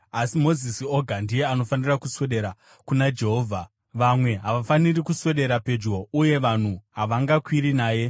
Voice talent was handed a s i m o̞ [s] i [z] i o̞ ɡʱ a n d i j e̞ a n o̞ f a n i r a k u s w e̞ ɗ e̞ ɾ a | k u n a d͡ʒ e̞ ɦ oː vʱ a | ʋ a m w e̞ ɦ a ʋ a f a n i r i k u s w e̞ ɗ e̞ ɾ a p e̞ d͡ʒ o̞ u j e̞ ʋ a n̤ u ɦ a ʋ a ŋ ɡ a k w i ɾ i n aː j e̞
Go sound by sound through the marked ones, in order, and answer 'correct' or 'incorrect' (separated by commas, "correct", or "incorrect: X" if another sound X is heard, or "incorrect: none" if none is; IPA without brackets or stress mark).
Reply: incorrect: z, incorrect: s